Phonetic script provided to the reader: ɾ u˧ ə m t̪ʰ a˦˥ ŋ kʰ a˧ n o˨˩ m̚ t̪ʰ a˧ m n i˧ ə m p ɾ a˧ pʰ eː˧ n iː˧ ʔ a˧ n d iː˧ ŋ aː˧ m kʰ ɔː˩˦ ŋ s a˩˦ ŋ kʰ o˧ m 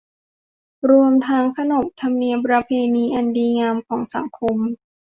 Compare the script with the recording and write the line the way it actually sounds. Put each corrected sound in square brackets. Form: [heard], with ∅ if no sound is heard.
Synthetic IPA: ɾ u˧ ə m t̪ʰ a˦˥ ŋ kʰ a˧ n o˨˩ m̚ t̪ʰ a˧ m n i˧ ə m p ɾ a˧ pʰ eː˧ n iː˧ ʔ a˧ n d iː˧ ŋ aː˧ m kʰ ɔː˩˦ ŋ s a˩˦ ŋ kʰ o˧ m

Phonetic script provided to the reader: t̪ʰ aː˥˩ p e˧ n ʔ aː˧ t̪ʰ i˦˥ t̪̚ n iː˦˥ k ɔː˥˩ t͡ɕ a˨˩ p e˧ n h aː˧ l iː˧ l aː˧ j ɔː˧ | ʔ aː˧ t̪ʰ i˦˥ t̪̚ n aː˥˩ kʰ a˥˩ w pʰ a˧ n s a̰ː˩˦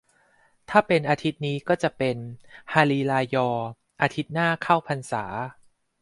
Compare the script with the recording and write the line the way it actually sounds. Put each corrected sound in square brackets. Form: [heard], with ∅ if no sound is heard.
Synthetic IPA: t̪ʰ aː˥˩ p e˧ n ʔ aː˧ t̪ʰ i˦˥ t̪̚ n iː˦˥ k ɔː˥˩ t͡ɕ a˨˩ p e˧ n h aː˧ l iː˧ l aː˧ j ɔː˧ | ʔ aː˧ t̪ʰ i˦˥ t̪̚ n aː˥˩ kʰ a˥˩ w pʰ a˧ n s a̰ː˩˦

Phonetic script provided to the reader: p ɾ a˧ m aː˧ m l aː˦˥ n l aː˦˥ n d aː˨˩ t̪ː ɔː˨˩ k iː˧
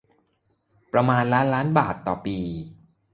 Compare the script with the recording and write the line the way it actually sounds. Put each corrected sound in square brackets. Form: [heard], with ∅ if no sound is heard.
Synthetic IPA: p ɾ a˧ m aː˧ [n] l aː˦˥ n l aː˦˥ n [b] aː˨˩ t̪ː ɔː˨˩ [p] iː˧

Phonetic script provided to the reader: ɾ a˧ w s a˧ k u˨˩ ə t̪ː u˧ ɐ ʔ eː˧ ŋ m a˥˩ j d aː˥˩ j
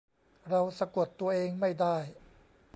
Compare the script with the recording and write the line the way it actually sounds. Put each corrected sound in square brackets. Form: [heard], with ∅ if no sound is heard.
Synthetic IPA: ɾ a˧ w s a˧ k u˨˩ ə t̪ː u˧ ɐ ʔ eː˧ ŋ m a˥˩ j d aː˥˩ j

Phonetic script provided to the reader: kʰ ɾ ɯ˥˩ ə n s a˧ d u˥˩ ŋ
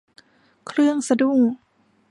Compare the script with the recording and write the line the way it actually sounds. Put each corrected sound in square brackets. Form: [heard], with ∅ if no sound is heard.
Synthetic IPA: kʰ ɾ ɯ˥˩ ə [ŋ] s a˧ d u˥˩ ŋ

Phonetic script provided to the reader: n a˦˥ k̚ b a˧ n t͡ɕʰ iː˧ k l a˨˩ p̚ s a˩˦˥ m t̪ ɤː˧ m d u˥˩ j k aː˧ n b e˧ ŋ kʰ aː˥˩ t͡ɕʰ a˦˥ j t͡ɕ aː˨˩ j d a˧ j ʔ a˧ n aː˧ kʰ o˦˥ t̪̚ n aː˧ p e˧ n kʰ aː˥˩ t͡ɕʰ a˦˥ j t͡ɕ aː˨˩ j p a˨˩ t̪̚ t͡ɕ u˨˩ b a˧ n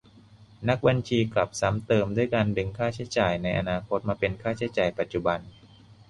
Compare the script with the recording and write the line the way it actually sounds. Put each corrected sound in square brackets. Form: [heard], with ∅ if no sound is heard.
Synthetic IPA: n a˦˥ k̚ b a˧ n t͡ɕʰ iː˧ k l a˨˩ p̚ s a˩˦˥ m t̪ ɤː˧ m d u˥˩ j k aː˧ n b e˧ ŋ kʰ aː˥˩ t͡ɕʰ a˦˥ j t͡ɕ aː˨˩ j [n] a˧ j ʔ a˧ n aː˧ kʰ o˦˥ t̪̚ [m] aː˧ p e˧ n kʰ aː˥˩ t͡ɕʰ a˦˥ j t͡ɕ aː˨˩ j p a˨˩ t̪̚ t͡ɕ u˨˩ b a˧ n

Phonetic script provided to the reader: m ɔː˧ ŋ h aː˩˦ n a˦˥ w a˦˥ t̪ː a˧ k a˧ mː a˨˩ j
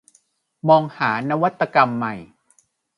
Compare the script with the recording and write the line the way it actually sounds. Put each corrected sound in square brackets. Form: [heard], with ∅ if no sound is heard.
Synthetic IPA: m ɔː˧ ŋ h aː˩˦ n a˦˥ w a˦˥ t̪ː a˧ k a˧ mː a˨˩ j

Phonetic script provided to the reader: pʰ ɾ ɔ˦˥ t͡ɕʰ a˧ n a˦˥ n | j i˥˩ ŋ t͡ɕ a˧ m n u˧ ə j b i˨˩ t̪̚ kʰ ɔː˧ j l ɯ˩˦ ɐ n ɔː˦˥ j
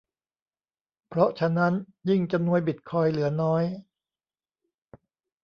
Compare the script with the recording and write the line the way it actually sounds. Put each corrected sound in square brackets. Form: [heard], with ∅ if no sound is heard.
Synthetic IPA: pʰ ɾ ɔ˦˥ t͡ɕʰ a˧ n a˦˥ n | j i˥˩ ŋ t͡ɕ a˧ m n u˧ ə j b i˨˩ t̪̚ kʰ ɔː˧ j l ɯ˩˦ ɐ n ɔː˦˥ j

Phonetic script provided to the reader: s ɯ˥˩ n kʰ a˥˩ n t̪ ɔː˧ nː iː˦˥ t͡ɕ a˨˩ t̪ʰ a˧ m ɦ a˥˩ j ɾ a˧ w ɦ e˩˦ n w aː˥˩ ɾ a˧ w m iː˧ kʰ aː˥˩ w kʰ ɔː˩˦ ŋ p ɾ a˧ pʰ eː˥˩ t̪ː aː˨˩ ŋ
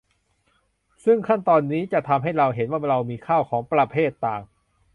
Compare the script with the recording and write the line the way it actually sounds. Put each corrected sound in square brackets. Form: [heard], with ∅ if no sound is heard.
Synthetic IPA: s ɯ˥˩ [ŋ] kʰ a˥˩ n t̪ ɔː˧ nː iː˦˥ t͡ɕ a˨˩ t̪ʰ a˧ m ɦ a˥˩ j ɾ a˧ w ɦ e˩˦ n w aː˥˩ ɾ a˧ w m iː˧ kʰ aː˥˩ w kʰ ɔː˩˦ ŋ p ɾ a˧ pʰ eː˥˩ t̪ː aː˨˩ ŋ

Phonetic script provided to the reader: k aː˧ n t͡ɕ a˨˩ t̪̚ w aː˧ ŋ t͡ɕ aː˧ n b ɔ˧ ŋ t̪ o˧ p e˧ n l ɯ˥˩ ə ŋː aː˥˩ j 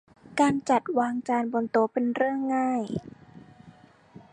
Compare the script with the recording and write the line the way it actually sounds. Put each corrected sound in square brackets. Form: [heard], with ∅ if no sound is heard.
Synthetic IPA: k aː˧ n t͡ɕ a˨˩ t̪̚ w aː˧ ŋ t͡ɕ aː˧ n b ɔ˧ [n] t̪ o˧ p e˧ n [ɾ] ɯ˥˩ ə ŋː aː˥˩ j

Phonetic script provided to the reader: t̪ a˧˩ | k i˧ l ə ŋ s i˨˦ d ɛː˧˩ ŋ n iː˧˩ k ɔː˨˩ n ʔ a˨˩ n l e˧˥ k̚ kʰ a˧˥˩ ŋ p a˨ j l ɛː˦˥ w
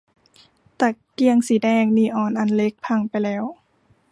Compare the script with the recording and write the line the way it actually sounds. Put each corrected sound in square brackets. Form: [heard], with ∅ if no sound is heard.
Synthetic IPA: t̪ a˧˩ | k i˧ [∅] ə ŋ s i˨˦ d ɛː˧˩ ŋ n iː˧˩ [ʔ] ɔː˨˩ n ʔ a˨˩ n l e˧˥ k̚ [pʰ] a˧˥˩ ŋ p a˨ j l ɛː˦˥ w

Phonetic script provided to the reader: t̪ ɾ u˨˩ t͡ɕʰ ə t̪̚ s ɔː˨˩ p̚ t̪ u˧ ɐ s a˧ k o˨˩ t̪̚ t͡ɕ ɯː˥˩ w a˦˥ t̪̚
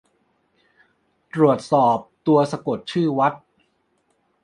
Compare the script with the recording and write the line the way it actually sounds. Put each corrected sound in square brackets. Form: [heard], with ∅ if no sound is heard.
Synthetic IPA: t̪ ɾ u˨˩ [∅] ə t̪̚ s ɔː˨˩ p̚ t̪ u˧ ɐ s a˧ k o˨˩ t̪̚ [t͡ɕʰ] ɯː˥˩ w a˦˥ t̪̚

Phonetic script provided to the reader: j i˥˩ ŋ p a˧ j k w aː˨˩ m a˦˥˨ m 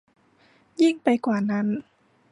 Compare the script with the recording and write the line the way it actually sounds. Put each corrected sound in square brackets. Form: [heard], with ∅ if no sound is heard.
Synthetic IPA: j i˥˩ ŋ p a˧ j k w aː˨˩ [n] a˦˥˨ [n]

